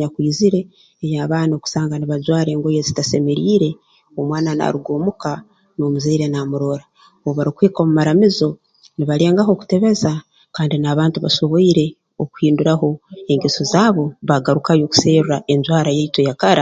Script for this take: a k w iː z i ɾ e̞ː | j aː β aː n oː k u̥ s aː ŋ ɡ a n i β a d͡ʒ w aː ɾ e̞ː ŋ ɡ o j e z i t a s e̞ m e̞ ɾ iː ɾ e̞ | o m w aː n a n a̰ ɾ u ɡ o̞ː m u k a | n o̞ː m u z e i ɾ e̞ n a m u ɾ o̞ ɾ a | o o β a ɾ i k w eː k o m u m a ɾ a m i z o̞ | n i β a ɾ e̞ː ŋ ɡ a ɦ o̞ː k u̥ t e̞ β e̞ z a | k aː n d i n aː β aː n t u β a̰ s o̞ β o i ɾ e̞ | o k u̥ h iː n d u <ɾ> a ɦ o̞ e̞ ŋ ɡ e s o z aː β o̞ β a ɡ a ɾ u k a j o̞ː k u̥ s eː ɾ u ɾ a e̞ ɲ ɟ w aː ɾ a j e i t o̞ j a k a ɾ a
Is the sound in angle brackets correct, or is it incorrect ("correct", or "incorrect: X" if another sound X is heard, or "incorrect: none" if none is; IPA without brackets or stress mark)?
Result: correct